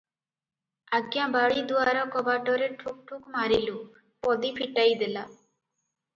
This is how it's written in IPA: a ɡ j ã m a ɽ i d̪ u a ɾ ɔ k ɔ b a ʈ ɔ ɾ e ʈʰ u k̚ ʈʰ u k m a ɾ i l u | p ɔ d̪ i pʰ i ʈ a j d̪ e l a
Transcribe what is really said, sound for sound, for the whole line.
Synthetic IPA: a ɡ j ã b a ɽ i d̪ u a ɾ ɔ k ɔ b a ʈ ɔ ɾ e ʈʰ u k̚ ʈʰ u k m a ɾ i l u | p ɔ d̪ i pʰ i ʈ a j d̪ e l a